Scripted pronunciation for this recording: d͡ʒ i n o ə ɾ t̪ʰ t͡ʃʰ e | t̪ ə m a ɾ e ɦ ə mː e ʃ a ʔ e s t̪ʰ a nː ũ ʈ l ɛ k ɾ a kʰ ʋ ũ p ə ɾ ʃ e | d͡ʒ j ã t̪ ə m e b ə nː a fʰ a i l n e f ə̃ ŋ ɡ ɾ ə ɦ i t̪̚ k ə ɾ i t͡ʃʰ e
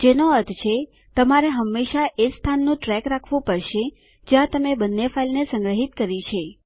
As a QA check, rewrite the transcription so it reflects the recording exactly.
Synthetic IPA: d͡ʒ e n o ə ɾ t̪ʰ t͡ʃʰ e | t̪ ə m a ɾ e ɦ ə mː e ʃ a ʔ e s t̪ʰ a nː ũ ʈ ɾ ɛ k ɾ a kʰ ʋ ũ p ə ɾ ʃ e | d͡ʒ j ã t̪ ə m e b ə nː e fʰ a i l n e s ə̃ ŋ ɡ ɾ ə ɦ i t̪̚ k ə ɾ i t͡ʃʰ e